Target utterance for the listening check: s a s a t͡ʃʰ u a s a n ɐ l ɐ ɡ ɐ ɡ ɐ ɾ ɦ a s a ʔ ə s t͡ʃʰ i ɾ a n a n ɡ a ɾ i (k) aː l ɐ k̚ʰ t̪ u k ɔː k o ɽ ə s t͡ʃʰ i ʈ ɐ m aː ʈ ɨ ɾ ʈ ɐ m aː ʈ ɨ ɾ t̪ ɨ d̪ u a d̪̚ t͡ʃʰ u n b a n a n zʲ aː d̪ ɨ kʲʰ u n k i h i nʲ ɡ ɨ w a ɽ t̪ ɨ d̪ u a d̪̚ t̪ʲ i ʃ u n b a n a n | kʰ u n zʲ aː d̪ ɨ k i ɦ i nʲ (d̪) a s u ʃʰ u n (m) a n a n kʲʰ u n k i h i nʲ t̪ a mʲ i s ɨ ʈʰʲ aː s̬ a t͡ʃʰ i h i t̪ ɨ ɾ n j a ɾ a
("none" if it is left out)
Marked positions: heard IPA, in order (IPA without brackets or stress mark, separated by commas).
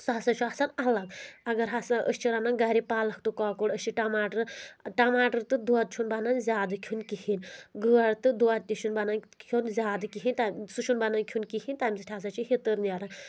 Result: p, t̪, b